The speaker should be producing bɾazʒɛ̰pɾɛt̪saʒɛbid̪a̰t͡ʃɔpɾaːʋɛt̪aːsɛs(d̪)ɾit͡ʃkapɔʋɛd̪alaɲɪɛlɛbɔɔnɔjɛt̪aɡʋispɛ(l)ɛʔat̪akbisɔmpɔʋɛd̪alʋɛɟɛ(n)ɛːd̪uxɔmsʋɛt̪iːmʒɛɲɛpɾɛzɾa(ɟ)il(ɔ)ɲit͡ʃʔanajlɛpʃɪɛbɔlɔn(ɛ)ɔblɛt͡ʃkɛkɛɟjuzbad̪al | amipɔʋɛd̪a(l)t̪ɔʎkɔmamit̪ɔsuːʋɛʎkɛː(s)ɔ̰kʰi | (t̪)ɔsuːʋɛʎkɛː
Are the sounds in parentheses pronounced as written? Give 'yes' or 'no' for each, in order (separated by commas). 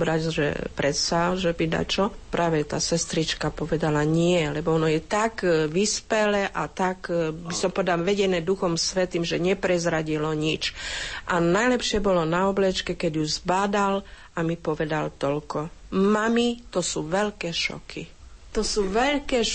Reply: no, yes, yes, yes, yes, no, yes, no, yes